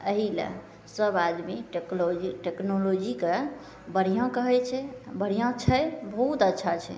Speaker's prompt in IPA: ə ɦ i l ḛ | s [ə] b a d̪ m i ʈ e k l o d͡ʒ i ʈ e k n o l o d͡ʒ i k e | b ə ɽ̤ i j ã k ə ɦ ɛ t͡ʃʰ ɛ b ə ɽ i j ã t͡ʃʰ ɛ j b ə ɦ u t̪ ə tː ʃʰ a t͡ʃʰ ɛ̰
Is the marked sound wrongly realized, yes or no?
no